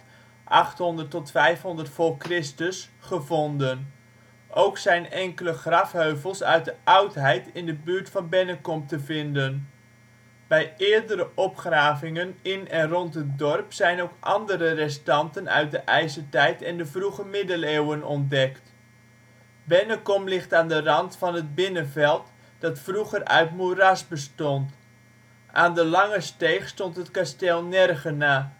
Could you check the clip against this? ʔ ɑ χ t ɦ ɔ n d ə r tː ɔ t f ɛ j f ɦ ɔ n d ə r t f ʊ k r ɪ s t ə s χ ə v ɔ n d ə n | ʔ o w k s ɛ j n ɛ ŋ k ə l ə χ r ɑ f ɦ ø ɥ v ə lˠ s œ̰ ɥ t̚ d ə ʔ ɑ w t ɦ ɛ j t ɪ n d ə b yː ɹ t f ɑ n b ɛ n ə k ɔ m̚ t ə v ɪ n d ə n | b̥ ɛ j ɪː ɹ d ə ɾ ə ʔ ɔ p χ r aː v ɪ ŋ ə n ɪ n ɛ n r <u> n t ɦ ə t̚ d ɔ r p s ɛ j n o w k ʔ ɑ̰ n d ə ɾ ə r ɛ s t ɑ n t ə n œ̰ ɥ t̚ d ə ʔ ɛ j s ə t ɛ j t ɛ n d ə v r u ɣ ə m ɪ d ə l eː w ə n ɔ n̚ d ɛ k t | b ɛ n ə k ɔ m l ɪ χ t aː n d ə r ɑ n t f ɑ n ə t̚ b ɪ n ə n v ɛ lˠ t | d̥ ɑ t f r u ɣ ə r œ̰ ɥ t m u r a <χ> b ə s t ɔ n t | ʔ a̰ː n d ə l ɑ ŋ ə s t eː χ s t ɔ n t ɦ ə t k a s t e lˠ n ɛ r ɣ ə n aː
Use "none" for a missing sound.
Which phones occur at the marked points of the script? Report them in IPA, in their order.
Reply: ɔ, s

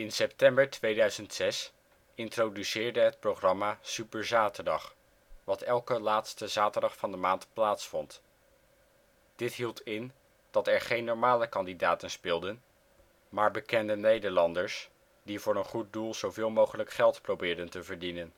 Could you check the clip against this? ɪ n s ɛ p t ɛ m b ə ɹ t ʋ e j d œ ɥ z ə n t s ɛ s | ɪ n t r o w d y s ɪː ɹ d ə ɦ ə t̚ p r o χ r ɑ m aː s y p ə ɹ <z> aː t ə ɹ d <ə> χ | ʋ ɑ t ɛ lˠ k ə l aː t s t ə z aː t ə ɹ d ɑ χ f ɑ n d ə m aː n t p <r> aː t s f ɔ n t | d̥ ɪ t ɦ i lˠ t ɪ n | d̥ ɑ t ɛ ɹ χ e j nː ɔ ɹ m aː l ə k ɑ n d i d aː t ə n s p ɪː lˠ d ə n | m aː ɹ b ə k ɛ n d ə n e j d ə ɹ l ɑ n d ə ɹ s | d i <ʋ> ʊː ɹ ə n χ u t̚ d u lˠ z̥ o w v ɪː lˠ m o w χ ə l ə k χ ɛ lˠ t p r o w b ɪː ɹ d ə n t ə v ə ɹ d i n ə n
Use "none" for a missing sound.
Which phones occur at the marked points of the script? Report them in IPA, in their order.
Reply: z, ɑ, l, v

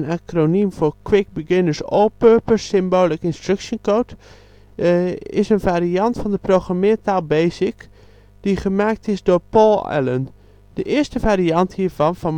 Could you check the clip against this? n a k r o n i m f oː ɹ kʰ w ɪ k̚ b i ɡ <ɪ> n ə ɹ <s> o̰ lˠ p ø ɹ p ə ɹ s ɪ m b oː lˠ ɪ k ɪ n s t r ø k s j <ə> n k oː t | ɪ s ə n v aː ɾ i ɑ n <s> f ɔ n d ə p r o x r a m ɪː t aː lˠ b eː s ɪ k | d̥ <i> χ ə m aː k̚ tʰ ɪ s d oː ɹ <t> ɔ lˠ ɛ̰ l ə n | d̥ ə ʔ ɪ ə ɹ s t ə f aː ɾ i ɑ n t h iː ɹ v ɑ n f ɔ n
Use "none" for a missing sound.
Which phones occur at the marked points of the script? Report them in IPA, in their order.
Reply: ɪ, s, ə, t, i, p

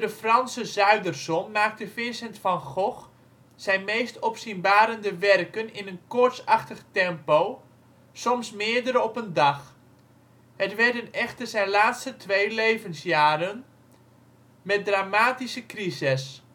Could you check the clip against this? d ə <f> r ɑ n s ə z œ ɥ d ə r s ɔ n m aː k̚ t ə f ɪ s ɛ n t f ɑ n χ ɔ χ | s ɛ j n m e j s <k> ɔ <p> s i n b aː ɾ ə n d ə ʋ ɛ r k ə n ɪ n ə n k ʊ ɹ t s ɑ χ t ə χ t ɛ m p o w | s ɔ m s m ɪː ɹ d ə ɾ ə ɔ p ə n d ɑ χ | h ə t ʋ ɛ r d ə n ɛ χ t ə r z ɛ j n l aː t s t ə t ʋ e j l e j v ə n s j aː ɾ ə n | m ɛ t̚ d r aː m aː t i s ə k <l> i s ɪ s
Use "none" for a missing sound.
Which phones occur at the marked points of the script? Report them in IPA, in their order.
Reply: f, t, p, r

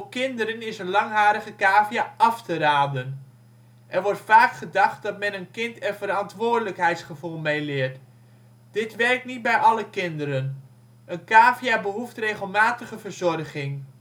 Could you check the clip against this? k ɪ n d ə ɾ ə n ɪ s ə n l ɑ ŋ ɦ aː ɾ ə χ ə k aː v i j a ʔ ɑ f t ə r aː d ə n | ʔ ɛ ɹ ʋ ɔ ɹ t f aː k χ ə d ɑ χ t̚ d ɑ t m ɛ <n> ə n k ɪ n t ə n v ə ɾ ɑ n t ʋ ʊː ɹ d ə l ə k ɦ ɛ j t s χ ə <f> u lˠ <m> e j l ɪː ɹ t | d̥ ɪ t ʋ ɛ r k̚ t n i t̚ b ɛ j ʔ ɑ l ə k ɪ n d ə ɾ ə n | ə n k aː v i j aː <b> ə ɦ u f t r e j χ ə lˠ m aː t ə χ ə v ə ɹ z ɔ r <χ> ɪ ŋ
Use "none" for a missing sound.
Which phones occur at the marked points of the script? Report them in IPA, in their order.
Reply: n, v, m, b, χ

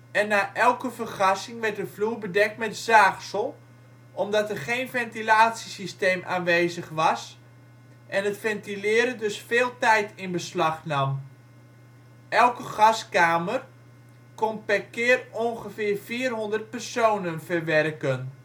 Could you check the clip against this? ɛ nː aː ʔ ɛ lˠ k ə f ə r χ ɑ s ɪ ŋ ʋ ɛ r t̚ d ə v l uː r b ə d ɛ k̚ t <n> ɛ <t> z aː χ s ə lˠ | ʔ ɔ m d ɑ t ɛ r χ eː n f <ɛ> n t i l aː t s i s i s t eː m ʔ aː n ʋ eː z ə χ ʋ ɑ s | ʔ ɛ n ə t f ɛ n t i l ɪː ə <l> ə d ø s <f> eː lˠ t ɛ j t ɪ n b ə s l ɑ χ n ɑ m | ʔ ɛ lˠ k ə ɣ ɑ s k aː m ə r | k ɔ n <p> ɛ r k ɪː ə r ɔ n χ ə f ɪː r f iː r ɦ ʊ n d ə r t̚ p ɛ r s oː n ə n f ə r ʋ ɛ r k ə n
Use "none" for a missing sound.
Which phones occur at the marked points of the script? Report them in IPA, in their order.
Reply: m, t, ɛ, ɾ, f, p

